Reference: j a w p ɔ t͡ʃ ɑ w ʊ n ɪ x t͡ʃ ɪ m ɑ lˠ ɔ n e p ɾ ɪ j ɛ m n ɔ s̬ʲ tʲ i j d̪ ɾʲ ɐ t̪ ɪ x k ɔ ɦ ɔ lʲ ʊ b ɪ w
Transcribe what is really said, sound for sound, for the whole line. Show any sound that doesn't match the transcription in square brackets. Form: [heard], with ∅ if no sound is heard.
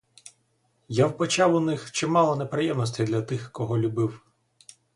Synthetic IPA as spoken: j a w p ɔ t͡ʃ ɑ w ʊ n ɪ x t͡ʃ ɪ m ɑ lˠ ɔ n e p ɾ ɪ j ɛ m n ɔ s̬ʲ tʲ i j d̪ [lʲ] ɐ t̪ ɪ x k ɔ ɦ ɔ lʲ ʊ b ɪ w